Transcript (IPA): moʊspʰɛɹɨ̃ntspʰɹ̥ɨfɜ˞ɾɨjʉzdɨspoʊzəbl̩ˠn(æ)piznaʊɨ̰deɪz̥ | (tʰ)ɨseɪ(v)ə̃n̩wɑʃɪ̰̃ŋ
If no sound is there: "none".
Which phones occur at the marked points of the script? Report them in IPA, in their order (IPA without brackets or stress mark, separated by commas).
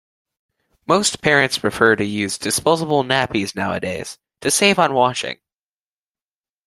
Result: æ, tʰ, v